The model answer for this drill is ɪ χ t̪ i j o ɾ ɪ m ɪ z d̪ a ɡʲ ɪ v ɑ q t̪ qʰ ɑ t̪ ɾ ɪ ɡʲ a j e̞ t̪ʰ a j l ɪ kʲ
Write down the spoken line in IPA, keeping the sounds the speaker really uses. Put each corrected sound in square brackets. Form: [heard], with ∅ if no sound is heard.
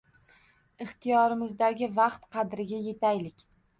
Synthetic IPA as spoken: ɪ χ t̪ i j [ɒ] ɾ ɪ m ɪ z d̪ a ɡʲ ɪ v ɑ q t̪ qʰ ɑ [d̪] ɾ ɪ ɡʲ a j e̞ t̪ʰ a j l ɪ kʲ